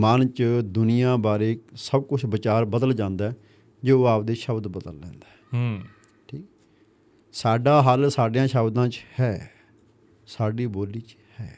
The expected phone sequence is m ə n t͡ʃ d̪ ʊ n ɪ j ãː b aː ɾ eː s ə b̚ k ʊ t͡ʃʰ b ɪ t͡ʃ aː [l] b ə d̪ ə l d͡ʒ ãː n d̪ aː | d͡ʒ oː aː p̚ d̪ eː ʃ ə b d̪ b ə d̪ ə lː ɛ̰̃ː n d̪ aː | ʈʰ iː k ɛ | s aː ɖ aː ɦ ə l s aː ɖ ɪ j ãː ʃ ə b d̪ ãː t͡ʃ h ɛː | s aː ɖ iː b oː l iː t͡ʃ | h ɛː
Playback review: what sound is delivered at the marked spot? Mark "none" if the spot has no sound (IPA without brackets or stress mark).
ɾ